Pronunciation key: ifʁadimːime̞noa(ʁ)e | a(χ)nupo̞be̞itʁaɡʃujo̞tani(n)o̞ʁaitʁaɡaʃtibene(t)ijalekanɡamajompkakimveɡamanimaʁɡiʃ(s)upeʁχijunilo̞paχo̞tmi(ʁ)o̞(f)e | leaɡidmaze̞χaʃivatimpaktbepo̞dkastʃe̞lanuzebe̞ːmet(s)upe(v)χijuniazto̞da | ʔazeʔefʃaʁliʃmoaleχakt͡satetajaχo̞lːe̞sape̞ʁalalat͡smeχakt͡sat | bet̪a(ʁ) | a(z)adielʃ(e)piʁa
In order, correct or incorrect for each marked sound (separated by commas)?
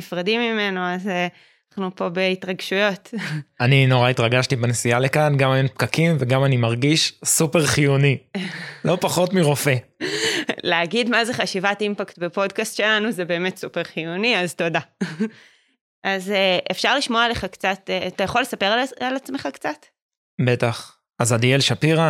incorrect, correct, correct, incorrect, correct, correct, correct, correct, incorrect, incorrect, correct, incorrect